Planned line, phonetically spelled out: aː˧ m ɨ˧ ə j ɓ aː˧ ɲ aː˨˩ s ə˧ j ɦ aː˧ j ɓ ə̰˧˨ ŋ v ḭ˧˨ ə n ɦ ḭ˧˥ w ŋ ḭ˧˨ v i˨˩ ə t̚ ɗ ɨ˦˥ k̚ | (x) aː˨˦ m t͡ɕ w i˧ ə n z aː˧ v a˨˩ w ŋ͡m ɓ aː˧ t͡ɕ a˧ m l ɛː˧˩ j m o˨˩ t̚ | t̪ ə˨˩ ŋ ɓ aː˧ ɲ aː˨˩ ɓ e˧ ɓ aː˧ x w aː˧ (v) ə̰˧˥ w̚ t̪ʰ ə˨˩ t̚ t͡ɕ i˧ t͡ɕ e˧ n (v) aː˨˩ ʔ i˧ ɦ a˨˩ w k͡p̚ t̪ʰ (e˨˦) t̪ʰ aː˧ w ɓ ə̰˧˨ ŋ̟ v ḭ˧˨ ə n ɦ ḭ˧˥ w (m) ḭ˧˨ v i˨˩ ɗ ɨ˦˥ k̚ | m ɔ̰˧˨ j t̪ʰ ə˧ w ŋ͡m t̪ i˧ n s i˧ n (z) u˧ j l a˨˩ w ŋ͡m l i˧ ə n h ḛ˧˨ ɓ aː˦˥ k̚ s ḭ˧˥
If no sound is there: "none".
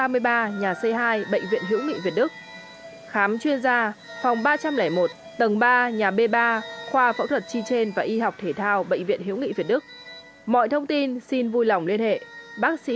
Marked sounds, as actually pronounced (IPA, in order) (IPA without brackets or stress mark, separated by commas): x, f, v, e˧˩, ŋ, v